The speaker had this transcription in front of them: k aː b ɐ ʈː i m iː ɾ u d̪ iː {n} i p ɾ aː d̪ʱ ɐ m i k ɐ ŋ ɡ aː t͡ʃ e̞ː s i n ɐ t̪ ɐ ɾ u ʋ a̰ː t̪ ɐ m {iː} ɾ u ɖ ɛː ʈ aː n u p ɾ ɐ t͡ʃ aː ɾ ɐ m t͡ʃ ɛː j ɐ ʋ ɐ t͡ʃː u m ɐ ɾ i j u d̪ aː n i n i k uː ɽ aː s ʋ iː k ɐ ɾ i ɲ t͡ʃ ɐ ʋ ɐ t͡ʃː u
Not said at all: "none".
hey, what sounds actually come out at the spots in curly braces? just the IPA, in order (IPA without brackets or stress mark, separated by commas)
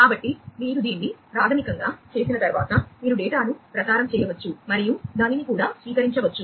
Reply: nː, iː